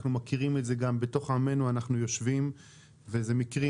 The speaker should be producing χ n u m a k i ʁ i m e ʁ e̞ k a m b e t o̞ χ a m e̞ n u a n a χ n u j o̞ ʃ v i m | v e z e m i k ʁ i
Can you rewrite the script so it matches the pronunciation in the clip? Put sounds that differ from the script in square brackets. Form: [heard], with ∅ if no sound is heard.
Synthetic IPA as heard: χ n u m a k i ʁ i m e [z] e̞ [ɡ] a m b e t o̞ χ a m e̞ n u a n a χ n u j o̞ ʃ v i m | v e z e m i k ʁ i